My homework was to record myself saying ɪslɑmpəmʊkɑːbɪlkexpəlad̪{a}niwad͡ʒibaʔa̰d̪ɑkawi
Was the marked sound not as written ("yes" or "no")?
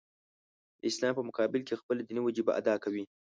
yes